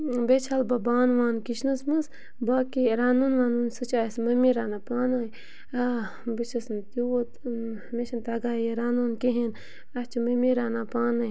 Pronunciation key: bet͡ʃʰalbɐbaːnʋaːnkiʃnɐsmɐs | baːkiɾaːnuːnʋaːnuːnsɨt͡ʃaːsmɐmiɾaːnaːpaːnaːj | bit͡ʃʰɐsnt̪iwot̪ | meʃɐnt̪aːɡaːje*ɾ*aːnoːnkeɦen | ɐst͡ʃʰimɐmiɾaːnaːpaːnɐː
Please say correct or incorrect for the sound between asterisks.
correct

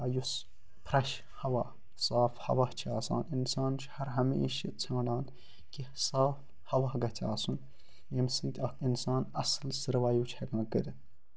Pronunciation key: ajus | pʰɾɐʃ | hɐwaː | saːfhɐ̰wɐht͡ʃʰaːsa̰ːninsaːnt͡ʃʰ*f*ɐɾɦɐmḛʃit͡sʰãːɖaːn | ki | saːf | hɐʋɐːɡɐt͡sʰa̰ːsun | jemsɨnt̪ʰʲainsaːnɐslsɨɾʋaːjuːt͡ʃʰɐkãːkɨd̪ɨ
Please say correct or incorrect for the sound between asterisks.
incorrect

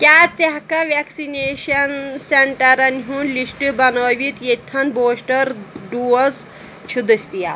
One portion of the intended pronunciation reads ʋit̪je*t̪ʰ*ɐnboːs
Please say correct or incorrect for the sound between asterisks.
correct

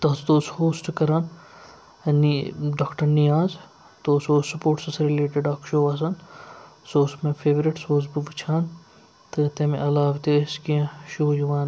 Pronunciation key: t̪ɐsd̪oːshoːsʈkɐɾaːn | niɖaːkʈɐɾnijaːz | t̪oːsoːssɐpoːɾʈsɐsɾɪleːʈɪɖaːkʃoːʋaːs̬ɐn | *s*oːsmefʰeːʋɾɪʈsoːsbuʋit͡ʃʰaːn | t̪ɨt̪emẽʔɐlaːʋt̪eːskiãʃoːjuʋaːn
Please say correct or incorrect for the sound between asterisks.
correct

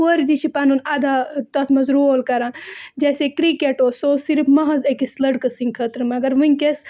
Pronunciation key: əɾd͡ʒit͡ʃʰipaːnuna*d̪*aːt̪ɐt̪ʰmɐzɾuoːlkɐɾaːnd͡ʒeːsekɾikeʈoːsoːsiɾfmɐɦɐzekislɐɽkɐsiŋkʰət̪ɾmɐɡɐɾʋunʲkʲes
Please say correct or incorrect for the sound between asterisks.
correct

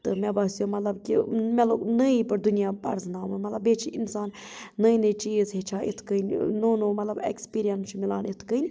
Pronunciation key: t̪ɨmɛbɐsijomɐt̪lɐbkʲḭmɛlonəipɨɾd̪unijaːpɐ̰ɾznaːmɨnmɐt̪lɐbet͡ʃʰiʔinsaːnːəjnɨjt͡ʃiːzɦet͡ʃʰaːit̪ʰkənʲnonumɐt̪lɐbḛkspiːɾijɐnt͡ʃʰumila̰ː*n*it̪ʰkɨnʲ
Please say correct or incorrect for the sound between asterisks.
correct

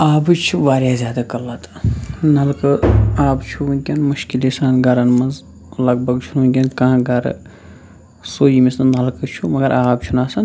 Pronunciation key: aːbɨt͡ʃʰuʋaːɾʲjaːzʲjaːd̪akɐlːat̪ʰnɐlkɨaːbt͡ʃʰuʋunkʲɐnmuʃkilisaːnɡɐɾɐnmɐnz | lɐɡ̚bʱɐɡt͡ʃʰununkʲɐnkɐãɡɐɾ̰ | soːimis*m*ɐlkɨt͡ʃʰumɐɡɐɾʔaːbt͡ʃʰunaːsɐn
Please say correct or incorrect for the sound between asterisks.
incorrect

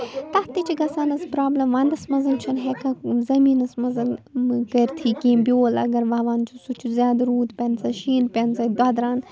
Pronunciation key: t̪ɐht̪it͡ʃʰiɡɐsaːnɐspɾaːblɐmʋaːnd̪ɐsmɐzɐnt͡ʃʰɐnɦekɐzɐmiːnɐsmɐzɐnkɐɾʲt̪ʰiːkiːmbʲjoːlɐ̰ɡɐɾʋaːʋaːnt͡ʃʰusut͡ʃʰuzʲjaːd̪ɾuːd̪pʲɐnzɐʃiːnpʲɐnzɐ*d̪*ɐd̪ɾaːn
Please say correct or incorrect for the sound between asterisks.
correct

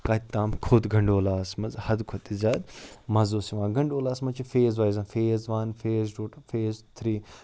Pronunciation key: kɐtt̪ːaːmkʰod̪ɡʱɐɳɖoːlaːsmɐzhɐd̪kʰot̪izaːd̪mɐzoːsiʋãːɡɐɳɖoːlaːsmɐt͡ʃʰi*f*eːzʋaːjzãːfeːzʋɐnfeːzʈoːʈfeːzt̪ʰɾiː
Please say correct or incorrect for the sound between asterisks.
correct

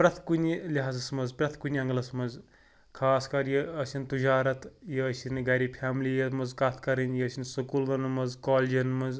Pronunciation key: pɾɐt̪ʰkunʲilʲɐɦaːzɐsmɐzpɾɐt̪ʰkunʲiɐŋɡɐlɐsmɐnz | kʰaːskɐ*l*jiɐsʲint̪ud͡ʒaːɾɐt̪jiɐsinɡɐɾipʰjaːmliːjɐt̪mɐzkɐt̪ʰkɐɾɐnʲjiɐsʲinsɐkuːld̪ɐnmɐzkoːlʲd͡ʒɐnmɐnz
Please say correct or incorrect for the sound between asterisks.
incorrect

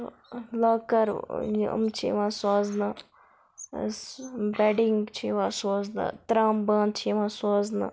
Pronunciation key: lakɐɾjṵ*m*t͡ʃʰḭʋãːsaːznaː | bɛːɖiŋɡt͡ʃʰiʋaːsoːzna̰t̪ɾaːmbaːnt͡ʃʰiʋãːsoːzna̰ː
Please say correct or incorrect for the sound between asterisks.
correct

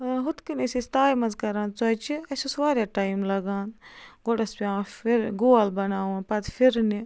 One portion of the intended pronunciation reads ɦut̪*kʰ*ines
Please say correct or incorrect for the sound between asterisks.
incorrect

